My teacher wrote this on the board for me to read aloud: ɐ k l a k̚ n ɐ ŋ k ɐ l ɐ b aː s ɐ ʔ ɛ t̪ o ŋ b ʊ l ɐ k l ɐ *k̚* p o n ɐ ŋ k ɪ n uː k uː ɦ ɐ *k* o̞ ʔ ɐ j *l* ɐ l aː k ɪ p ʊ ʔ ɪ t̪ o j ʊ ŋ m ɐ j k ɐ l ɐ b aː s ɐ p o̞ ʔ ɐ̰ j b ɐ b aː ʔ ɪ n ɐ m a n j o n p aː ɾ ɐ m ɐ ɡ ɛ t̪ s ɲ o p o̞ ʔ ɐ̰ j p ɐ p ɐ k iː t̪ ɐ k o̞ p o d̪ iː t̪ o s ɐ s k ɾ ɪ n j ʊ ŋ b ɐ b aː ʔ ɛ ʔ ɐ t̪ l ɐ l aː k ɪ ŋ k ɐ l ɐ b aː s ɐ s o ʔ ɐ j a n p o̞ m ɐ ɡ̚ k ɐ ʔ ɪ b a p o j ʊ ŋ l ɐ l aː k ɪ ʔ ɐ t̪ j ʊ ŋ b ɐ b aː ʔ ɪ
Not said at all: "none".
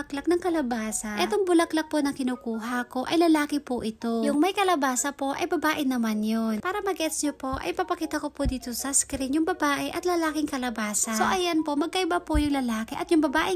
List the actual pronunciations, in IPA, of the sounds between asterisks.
k̚, k, l

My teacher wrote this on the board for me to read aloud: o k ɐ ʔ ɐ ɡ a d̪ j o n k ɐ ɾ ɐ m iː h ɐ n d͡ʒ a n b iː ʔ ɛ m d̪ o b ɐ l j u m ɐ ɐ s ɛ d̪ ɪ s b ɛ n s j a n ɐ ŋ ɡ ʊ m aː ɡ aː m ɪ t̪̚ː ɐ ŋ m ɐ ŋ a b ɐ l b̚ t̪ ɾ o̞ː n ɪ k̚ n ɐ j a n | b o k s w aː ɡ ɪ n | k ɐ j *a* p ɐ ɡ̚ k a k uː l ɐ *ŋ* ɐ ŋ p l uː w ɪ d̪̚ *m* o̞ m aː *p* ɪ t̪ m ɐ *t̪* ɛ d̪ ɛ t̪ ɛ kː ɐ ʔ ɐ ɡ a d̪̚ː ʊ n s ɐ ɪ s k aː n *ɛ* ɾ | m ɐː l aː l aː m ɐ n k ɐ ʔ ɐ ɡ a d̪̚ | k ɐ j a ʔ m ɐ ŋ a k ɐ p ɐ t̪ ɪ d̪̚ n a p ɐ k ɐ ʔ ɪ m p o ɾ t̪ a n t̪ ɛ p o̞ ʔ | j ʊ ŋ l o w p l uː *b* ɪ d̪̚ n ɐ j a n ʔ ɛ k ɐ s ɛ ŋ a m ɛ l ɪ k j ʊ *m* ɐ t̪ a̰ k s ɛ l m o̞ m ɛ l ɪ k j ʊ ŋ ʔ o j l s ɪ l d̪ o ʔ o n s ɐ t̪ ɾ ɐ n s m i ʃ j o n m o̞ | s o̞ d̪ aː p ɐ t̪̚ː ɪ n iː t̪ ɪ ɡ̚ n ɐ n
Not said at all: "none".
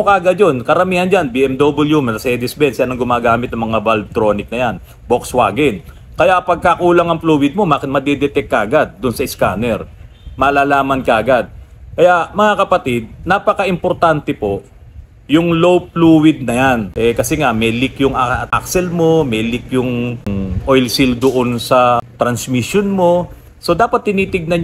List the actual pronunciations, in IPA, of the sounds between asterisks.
a, ŋ, m, k, d̪, ɛ, w, ŋ

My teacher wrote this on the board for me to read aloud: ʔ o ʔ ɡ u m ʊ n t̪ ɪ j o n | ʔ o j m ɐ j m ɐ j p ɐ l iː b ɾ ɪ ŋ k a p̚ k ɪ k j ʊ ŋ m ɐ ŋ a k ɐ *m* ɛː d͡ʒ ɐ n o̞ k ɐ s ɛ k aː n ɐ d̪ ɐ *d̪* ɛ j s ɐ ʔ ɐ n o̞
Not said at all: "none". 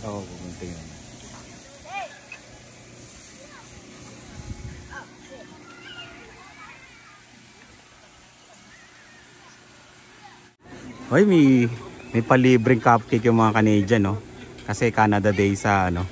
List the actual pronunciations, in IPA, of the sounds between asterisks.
n, d̪

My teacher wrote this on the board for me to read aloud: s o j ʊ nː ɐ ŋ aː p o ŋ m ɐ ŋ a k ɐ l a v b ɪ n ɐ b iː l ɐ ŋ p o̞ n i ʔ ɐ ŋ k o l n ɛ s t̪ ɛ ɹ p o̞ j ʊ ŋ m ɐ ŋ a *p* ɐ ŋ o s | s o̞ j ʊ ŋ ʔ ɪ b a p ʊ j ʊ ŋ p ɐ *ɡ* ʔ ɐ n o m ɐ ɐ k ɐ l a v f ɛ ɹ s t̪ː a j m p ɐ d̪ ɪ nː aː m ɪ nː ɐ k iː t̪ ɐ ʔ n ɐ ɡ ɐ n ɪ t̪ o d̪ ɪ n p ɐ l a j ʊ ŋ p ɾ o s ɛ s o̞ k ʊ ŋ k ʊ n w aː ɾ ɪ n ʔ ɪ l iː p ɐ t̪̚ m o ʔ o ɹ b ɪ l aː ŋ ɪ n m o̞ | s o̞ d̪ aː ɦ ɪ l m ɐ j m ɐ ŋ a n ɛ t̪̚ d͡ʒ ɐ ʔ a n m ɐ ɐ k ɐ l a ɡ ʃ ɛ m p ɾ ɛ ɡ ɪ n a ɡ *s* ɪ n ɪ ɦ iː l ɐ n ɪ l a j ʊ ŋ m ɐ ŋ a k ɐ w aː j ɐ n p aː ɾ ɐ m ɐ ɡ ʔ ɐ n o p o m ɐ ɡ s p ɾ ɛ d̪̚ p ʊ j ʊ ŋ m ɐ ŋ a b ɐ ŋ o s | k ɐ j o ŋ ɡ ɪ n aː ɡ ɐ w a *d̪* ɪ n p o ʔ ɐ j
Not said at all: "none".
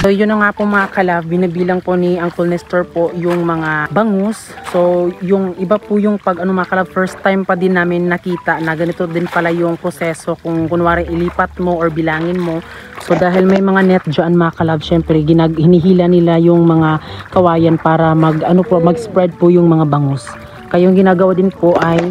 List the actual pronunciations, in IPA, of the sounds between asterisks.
b, ɡ, h, d̪

